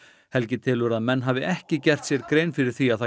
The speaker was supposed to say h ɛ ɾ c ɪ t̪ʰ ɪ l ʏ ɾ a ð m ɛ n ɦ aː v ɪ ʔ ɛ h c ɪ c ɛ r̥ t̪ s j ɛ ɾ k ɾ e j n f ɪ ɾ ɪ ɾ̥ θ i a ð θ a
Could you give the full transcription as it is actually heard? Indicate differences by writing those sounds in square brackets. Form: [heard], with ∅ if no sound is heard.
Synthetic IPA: h ɛ [l] c ɪ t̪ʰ ɪ l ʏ ɾ a ð m ɛ [nː] ɦ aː v ɪ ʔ ɛ h c ɪ c ɛ r̥ t̪ s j ɛ ɾ k ɾ e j n f ɪ ɾ ɪ ɾ̥ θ i a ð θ a